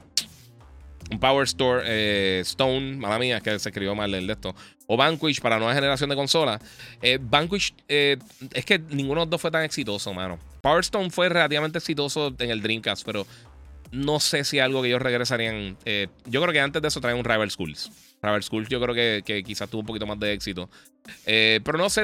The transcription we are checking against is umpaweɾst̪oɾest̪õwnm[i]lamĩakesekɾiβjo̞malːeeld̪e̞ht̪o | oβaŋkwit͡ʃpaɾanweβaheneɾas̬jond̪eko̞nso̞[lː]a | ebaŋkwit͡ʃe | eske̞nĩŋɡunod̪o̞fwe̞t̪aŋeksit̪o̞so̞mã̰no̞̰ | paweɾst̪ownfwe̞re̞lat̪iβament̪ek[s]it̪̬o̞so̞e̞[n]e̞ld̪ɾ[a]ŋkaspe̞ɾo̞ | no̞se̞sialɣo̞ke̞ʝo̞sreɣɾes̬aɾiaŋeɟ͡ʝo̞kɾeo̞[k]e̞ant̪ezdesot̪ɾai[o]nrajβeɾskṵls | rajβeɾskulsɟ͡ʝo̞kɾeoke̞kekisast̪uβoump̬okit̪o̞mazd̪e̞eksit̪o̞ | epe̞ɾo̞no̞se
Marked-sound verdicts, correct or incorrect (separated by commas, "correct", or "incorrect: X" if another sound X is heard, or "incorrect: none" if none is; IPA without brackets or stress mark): incorrect: a, incorrect: l, correct, incorrect: ŋ, incorrect: i, correct, incorrect: u